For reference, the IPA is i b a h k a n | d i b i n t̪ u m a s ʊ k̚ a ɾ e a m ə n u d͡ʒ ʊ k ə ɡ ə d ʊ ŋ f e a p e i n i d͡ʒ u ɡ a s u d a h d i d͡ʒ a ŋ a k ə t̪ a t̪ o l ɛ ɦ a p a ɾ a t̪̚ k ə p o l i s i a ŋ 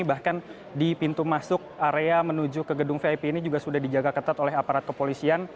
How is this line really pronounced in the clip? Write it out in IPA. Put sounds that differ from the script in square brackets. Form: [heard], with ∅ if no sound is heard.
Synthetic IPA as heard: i b a h k a n | d i [p] i n t̪ u m a s ʊ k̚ a ɾ e a m ə n u d͡ʒ ʊ k ə ɡ ə d ʊ ŋ f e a p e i n i d͡ʒ u ɡ a s u d a h d i d͡ʒ a [ɡ] a k ə t̪ a t̪ o l ɛ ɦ a p a ɾ a t̪̚ k ə p o l i s i a [n]